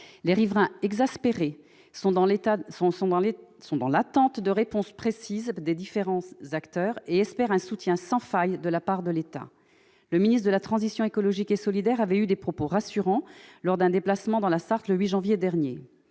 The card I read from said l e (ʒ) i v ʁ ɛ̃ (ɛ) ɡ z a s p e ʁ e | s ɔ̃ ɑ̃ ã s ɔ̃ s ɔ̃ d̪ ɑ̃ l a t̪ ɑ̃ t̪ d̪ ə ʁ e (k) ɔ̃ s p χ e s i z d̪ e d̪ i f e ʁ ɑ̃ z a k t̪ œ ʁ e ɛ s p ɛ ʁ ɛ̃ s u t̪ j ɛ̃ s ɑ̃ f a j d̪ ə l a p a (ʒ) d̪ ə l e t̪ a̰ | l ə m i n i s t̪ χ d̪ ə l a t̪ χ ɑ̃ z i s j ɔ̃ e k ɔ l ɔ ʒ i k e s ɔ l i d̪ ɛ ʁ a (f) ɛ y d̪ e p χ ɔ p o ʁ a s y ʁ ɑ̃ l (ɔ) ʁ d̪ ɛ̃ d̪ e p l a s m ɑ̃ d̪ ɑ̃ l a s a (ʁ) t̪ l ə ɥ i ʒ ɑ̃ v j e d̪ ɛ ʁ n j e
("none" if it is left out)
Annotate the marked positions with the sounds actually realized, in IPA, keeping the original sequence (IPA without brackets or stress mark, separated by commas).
ʁ, ɛ, p, ʁ, v, ɔ, ʁ